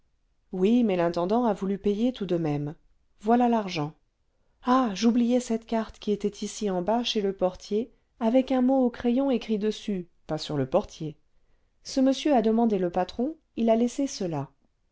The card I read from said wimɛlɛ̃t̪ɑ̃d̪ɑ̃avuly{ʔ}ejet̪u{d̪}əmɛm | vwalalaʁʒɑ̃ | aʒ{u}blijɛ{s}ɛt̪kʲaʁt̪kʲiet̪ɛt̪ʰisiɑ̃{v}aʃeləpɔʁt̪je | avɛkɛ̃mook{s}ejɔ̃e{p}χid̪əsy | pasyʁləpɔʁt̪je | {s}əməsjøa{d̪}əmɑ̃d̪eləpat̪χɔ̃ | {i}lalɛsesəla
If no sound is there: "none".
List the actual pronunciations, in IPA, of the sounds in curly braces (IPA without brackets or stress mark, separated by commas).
p, d̪, u, s, b, χ, k, s, d̪, i